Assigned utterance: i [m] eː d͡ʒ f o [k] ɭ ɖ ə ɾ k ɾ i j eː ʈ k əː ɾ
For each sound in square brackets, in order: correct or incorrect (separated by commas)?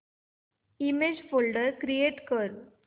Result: correct, incorrect